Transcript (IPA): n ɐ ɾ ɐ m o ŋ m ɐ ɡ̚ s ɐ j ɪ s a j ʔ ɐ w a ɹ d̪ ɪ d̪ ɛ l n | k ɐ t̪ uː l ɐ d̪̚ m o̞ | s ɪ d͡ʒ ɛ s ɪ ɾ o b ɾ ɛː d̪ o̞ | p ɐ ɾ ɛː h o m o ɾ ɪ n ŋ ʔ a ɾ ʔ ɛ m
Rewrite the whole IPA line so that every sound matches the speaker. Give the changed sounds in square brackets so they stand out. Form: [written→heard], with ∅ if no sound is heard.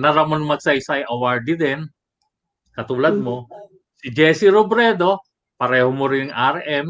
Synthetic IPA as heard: n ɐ ɾ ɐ m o [ŋ→n] m ɐ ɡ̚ s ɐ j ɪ s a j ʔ ɐ w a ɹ d̪ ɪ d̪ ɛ [l→∅] n | k ɐ t̪ uː l ɐ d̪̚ m o̞ | s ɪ d͡ʒ ɛ s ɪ ɾ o b ɾ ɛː d̪ o̞ | p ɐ ɾ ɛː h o m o ɾ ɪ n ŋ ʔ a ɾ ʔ ɛ m